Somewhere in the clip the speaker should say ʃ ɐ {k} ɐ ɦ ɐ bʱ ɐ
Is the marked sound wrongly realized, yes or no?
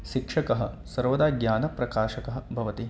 no